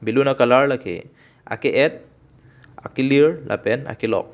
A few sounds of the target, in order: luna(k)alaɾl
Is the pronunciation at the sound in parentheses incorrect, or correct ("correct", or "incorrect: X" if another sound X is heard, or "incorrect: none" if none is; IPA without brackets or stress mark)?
correct